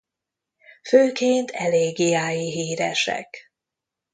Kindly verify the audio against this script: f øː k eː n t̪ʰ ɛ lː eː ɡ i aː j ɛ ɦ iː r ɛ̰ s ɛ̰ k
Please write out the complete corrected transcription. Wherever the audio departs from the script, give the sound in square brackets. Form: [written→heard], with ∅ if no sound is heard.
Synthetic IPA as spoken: f øː k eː n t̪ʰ ɛ [lː→l] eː ɡ i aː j [ɛ→i] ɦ iː [r→ɾ] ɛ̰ [s→ʃ] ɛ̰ k